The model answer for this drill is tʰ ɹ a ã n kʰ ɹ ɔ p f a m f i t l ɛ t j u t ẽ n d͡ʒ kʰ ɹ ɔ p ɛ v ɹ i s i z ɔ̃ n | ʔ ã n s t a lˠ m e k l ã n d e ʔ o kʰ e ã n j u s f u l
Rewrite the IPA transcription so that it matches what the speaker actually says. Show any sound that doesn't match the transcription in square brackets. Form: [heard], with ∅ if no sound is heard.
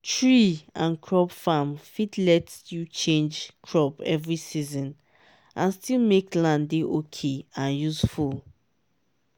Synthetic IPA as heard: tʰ ɹ [i] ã n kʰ ɹ ɔ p f a m f i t l ɛ t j u [t͡ʃ] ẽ n d͡ʒ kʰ ɹ ɔ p ɛ v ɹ i s i z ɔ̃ n | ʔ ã n s t [i] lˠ m e k l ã n d e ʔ o kʰ e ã n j u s f u l